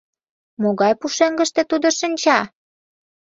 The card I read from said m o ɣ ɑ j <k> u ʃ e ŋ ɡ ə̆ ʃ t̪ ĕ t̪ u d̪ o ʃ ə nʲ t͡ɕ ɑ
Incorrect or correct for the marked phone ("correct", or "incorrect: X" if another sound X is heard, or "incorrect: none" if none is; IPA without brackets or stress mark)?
incorrect: p